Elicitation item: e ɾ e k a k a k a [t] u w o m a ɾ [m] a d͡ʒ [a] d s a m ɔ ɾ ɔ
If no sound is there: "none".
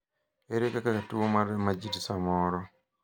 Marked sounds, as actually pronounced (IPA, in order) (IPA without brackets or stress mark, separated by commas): t, m, i